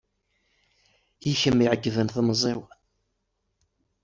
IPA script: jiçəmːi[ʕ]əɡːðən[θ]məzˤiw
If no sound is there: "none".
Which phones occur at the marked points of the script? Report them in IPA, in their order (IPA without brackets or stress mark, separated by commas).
ʕ, θ